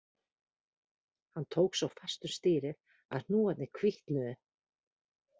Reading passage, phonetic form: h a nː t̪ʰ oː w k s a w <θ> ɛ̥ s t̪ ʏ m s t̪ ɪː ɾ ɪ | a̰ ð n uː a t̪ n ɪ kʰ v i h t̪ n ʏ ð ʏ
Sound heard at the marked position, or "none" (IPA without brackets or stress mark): f